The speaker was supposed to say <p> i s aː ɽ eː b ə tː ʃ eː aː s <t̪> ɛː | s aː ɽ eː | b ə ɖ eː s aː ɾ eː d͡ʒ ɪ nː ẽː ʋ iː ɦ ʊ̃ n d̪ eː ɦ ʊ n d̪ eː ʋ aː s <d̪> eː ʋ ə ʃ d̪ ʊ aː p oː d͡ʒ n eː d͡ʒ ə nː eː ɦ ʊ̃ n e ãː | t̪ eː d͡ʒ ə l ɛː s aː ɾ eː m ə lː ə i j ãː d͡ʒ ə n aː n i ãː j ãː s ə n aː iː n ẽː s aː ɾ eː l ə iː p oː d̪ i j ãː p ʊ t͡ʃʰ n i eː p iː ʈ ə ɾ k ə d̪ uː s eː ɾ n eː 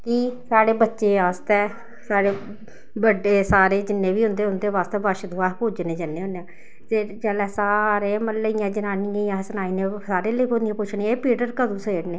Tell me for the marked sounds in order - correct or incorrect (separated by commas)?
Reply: incorrect, correct, incorrect